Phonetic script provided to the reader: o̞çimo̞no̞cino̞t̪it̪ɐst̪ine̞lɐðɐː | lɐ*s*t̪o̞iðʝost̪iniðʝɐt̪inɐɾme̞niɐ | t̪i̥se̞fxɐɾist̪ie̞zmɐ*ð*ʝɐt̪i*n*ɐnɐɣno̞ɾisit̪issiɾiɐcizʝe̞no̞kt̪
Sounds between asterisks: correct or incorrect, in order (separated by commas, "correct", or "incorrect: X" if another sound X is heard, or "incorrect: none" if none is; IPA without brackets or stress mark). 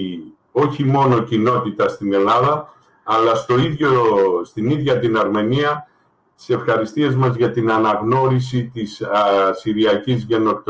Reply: correct, incorrect: z, correct